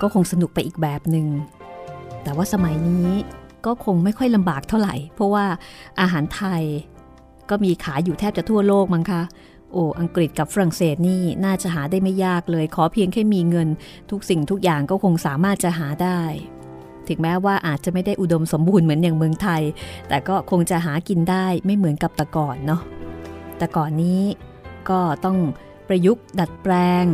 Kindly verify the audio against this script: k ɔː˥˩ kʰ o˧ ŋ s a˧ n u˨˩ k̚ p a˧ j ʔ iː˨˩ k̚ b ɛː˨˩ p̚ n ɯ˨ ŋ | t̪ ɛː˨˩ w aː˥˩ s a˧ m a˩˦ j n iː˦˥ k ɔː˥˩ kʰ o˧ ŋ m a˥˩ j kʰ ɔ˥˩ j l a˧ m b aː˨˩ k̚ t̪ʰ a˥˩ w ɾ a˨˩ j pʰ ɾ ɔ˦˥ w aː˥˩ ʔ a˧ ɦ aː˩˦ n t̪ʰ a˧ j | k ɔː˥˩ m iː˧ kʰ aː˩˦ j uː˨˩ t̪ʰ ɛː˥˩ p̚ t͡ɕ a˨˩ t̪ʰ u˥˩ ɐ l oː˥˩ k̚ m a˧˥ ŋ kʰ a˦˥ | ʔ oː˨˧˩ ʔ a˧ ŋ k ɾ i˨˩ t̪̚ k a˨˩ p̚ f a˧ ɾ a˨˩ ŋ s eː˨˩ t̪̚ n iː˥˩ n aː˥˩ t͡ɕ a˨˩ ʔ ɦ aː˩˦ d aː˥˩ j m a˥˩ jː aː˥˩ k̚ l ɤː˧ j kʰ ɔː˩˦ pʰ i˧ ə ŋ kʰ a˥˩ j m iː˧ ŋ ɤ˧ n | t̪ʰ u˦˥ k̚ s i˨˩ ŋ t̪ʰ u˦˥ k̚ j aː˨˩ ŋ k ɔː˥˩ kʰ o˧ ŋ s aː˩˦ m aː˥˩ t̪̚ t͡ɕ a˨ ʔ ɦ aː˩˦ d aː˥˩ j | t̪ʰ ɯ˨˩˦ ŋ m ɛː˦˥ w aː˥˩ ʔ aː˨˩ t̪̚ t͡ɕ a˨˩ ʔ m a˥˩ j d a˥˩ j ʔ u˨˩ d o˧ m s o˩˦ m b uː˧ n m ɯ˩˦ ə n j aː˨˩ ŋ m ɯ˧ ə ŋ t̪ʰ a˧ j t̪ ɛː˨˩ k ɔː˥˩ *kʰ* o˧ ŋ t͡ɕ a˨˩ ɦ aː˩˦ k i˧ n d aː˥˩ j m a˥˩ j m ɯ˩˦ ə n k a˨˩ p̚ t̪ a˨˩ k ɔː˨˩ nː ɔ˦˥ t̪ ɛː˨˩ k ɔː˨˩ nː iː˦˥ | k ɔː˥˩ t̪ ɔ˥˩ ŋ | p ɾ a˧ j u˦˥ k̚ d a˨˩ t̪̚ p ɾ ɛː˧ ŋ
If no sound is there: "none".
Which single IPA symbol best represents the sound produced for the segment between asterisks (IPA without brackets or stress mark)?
kʰ